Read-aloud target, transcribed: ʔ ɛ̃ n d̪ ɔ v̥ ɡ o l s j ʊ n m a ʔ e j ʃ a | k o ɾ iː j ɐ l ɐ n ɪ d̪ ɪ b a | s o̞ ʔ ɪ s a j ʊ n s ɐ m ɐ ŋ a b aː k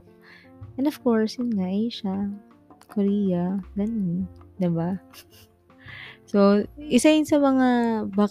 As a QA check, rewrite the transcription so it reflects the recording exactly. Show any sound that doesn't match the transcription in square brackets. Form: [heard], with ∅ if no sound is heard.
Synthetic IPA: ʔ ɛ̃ n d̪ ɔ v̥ [k] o [ɹ] s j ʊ n [ŋ] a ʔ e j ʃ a | k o ɾ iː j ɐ l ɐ n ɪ d̪ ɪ b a | s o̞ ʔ ɪ s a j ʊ n s ɐ m ɐ ŋ a b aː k